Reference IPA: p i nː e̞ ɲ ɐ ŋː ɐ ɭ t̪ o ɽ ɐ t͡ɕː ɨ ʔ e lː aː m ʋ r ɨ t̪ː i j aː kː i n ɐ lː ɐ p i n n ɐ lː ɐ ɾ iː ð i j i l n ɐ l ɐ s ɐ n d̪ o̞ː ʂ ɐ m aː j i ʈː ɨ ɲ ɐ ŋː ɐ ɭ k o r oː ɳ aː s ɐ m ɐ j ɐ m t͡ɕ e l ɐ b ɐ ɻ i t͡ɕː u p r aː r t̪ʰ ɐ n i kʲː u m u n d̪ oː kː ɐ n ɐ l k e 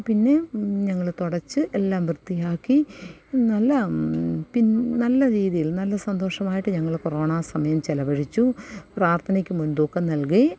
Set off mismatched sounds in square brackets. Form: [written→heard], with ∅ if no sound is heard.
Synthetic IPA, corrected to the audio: p i nː e̞ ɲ ɐ ŋː ɐ ɭ t̪ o ɽ ɐ t͡ɕː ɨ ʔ e lː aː m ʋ r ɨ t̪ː i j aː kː i n ɐ lː ɐ p i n n ɐ lː ɐ ɾ iː ð i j i l n ɐ [l→lː] ɐ s ɐ n d̪ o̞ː ʂ ɐ m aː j i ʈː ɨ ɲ ɐ ŋː ɐ ɭ k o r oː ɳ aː s ɐ m ɐ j ɐ m t͡ɕ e l ɐ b ɐ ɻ i t͡ɕː u p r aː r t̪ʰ ɐ n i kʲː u m u n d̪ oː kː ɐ n ɐ l k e

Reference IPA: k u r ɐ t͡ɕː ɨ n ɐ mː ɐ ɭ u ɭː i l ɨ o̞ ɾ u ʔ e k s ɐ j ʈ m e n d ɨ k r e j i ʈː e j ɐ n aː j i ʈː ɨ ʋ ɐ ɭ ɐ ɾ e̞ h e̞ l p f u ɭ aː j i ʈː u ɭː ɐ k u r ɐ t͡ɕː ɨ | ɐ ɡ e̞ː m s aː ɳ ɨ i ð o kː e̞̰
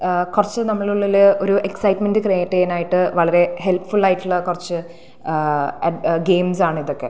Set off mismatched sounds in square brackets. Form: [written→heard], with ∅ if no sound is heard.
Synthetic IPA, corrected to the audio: k u r ɐ t͡ɕː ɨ n ɐ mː ɐ ɭ u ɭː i l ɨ o̞ ɾ u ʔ e k s ɐ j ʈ m e n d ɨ k r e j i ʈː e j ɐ n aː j i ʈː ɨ ʋ ɐ ɭ ɐ ɾ e̞ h e̞ l p f u ɭ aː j i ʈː u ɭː ɐ k u r ɐ t͡ɕː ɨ | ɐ ɡ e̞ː m s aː ɳ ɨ i ð o kː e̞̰

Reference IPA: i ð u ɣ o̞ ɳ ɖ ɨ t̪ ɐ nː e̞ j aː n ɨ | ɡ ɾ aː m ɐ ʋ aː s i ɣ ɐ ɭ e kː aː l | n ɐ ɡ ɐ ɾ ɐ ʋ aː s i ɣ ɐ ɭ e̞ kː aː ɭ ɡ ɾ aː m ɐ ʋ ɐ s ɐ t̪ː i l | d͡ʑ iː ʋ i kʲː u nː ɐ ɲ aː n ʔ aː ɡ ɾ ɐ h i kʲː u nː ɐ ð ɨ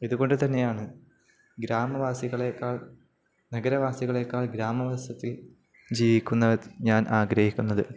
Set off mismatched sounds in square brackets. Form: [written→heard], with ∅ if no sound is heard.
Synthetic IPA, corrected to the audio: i ð u ɣ o̞ ɳ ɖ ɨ t̪ ɐ nː e̞ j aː [n→ɳ] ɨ | ɡ ɾ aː m ɐ ʋ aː s i ɣ ɐ ɭ e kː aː [l→ɭ] | n ɐ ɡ ɐ ɾ ɐ ʋ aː s i ɣ ɐ ɭ e̞ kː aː ɭ ɡ ɾ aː m ɐ ʋ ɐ s ɐ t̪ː i l | d͡ʑ iː ʋ i kʲː u nː ɐ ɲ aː n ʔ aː ɡ ɾ ɐ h i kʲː u nː ɐ ð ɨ

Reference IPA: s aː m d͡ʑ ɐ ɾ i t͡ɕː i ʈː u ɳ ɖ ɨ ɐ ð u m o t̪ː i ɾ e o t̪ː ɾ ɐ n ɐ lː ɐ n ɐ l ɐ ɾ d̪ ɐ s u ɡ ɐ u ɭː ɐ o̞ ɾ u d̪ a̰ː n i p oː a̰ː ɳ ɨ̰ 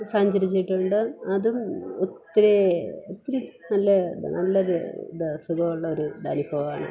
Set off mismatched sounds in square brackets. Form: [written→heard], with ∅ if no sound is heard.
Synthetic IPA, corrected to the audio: s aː [m→ɲ] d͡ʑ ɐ ɾ i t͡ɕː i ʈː u ɳ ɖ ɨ ɐ ð u m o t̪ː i ɾ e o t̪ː ɾ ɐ n ɐ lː ɐ n ɐ [l→lː] ɐ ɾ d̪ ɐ s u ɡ ɐ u ɭː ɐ o̞ ɾ u d̪ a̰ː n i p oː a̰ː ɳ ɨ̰

